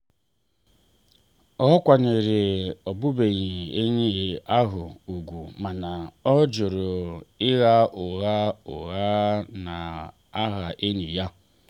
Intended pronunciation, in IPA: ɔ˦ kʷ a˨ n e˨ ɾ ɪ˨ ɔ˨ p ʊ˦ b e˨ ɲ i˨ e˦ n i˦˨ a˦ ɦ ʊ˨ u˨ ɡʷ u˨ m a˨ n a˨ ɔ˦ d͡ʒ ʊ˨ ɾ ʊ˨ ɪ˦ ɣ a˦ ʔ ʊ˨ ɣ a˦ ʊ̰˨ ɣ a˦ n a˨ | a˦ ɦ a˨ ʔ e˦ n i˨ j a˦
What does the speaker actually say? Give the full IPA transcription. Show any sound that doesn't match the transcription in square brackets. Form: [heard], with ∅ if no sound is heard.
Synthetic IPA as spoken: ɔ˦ kʷ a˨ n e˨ ɾ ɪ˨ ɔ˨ [b] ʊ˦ b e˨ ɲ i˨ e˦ [ɲ] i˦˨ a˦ ɦ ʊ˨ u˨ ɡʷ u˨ m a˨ n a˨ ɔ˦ d͡ʒ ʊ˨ ɾ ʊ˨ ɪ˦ ɣ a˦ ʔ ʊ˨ ɣ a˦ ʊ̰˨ ɣ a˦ n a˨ | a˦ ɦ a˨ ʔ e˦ n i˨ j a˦